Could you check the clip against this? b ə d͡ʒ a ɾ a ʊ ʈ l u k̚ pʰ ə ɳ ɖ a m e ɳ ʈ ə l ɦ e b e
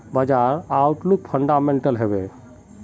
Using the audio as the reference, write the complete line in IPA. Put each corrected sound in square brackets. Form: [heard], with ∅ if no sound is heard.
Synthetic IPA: b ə d͡ʒ a ɾ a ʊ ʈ l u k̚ pʰ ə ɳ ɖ a m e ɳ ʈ ə l ɦ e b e